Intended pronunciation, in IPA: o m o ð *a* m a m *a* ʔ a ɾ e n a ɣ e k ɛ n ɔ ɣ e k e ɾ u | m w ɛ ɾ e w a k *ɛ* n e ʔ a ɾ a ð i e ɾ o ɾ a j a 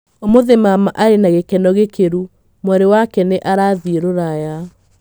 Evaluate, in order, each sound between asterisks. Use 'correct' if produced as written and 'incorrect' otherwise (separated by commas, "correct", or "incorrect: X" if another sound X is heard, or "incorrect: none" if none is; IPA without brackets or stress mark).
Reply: incorrect: e, correct, correct